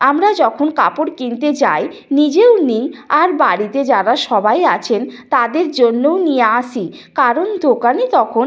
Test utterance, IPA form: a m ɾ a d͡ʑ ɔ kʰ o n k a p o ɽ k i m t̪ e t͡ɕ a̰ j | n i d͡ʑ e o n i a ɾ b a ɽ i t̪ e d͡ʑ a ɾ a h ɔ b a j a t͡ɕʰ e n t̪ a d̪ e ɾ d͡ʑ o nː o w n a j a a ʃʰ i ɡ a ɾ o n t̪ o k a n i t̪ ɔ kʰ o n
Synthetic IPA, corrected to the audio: a m ɾ a d͡ʑ ɔ kʰ o n k a p o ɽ k i n t̪ e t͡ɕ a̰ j | n i d͡ʑ e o n i a ɾ b a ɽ i t̪ e d͡ʑ a ɾ a ʃ ɔ b a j a t͡ɕʰ e n t̪ a d̪ e ɾ d͡ʑ o nː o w n i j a a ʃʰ i k a ɾ o n d̪ o k a n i t̪ ɔ kʰ o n